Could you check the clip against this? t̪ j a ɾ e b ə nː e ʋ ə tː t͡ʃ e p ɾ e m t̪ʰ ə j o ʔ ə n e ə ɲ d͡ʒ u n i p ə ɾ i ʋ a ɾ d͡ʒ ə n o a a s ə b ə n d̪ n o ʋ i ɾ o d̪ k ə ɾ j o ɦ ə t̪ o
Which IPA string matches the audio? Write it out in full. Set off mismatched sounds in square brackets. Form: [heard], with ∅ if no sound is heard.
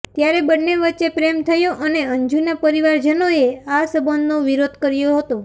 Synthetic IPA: t̪ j a ɾ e b ə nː e ʋ ə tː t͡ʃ e p ɾ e m t̪ʰ ə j o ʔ ə n e ə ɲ d͡ʒ u n [a] p ə ɾ i ʋ a ɾ d͡ʒ ə n o [e] a s ə b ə n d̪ n o ʋ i ɾ o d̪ k ə ɾ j o ɦ ə t̪ o